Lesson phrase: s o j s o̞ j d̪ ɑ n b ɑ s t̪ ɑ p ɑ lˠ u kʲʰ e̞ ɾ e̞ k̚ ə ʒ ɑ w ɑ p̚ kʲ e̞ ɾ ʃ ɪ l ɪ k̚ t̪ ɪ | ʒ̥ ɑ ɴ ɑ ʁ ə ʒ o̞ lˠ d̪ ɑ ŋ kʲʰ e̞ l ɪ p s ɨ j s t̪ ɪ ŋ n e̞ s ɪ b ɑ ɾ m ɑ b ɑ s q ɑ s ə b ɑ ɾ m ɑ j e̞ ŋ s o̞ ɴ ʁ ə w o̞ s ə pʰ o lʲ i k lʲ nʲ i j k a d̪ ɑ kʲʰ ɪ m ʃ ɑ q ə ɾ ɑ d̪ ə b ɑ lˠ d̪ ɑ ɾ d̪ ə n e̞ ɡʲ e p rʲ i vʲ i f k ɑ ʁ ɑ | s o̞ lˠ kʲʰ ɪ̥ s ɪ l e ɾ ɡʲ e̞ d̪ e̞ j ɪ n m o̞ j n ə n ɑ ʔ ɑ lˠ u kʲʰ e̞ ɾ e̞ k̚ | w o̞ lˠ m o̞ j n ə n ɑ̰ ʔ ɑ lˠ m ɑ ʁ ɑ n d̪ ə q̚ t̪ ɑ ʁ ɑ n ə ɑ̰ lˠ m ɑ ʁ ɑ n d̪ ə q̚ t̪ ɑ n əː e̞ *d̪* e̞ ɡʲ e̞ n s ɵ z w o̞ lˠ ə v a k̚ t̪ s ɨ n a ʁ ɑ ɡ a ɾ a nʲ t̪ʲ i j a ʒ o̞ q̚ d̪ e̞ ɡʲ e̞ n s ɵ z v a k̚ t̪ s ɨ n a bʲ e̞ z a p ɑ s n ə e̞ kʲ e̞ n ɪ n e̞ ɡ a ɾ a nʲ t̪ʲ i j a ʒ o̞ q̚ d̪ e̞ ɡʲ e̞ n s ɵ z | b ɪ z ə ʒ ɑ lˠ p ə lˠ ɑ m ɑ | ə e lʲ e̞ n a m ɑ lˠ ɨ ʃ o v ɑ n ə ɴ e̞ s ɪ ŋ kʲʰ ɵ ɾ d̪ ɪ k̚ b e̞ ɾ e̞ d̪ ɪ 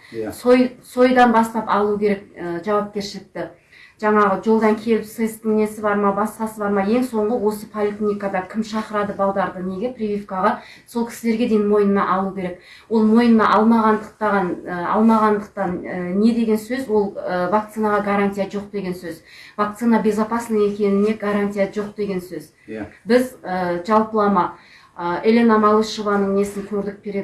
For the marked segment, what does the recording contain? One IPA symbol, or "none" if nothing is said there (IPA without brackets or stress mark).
d̪